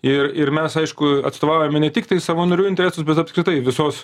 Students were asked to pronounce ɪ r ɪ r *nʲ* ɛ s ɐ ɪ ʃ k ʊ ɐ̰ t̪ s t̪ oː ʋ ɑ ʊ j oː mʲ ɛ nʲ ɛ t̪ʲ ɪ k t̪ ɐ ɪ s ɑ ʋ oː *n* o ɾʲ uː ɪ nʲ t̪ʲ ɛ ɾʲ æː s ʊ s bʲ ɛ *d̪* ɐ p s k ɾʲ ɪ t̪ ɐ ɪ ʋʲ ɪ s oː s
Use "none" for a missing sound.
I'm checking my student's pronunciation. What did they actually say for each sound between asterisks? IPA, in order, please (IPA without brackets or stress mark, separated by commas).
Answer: mʲ, n, t̪